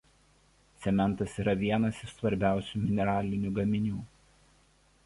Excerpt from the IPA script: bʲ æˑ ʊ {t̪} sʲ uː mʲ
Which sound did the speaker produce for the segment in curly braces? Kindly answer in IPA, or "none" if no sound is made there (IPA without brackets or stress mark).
none